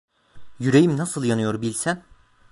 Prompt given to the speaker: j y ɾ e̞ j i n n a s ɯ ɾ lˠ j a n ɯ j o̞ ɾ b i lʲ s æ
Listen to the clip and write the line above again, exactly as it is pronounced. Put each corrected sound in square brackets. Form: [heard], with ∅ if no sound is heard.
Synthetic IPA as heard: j y ɾ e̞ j i [m] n a s ɯ [∅] lˠ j a n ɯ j o̞ ɾ b i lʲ s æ